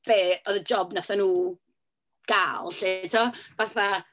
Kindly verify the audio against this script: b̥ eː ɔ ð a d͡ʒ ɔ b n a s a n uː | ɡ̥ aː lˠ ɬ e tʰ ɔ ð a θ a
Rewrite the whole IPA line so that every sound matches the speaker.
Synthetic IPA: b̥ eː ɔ ð ə d͡ʒ ɔ b n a θ a n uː | ɡ̥ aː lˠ ɬ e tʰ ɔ v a θ a

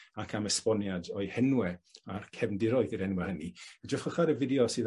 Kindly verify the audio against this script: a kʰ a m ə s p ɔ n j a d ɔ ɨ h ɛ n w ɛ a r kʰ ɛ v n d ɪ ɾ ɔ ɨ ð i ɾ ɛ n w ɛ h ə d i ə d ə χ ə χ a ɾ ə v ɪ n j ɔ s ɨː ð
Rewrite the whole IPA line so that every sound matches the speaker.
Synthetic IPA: a kʰ a m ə s p ɔ n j a d ɔ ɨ h ɛ n w ɛ a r kʰ ɛ v n d ɪ ɾ ɔ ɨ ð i ɾ ɛ n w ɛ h ə n i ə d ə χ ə χ a ɾ ə v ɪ d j ɔ s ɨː ð

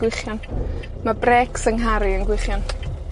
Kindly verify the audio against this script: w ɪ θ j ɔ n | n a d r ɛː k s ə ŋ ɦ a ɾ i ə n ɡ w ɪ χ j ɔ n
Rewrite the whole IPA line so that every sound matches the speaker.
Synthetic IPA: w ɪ χ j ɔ n | m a b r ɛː k s ə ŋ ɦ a ɾ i ə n ɡ w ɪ χ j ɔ n

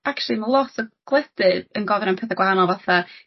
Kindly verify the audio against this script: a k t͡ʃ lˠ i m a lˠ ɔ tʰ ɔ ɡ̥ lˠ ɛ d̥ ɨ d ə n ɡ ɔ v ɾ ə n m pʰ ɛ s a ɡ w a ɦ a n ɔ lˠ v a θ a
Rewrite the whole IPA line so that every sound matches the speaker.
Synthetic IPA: a k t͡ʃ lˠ i m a lˠ ɔ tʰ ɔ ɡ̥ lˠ ɛ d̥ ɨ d ə n ɡ ɔ v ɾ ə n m pʰ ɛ θ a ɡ w a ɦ a n ɔ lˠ v a θ a

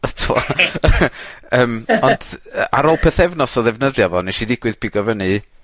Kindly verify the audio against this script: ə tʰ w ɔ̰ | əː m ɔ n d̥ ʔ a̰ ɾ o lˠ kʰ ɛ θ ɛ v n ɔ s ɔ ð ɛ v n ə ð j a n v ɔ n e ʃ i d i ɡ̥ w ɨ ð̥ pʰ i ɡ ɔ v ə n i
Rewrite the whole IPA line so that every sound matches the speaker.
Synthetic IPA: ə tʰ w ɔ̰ | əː m ɔ n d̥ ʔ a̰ ɾ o lˠ pʰ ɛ θ ɛ v n ɔ s ɔ ð ɛ v n ə ð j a v ɔ n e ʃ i d ɪ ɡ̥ w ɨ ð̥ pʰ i ɡ ɔ v ə n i

